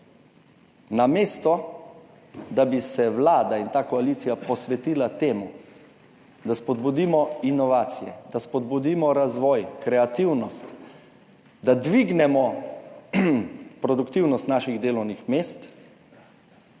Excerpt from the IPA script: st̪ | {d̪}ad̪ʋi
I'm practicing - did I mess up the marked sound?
no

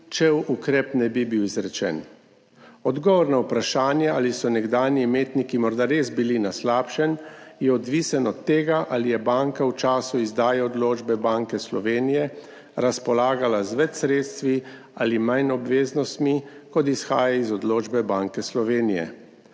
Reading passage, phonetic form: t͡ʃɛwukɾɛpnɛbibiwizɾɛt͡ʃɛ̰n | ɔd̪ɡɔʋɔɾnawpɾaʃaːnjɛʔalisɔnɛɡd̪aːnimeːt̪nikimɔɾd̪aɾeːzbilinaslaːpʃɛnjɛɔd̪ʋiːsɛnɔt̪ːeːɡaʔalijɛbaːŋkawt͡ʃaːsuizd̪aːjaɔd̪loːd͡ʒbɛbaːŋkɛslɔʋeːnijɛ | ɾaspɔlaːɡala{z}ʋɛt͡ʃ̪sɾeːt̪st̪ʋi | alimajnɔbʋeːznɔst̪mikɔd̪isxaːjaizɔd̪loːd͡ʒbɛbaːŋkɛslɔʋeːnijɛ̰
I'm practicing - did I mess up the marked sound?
no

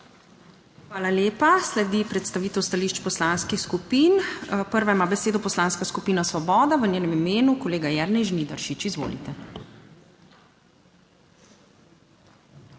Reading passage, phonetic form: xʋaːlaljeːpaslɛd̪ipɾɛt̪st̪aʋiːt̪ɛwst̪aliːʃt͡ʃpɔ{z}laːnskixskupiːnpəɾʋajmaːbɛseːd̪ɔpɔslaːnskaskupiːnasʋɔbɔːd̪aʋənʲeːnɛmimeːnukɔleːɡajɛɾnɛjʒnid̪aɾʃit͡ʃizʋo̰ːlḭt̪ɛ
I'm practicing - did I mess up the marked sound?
yes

